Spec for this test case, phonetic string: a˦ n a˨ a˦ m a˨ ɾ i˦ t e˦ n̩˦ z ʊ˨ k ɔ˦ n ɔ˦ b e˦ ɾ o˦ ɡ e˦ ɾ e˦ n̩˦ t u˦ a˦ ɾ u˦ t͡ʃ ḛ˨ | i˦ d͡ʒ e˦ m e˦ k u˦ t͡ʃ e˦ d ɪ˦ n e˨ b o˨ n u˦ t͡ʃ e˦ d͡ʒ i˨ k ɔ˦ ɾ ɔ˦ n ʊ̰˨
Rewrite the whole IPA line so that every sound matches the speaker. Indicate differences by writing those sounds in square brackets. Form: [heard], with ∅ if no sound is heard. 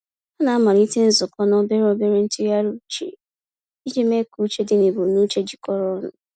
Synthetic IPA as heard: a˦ n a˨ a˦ m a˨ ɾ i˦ t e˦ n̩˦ z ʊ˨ k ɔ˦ n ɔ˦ b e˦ ɾ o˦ [b] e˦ ɾ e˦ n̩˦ t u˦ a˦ ɾ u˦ t͡ʃ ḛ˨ | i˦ d͡ʒ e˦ m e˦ k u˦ t͡ʃ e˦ d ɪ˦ n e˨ b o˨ n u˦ t͡ʃ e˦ d͡ʒ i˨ k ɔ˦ ɾ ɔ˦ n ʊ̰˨